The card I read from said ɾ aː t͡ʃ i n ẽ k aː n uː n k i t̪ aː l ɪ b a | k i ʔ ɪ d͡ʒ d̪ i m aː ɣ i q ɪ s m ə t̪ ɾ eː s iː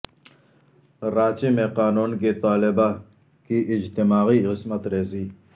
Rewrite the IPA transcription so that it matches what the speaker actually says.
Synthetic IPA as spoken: ɾ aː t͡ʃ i m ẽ q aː n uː n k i t̪ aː l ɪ b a | k i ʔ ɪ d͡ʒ t̪ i m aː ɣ i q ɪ s m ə t̪ ɾ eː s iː